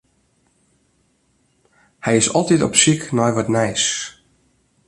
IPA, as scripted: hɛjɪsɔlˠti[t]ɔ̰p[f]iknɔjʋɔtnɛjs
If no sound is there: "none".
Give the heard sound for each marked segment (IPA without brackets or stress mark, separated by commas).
t, s